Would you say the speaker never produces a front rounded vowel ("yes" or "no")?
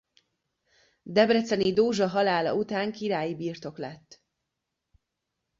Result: yes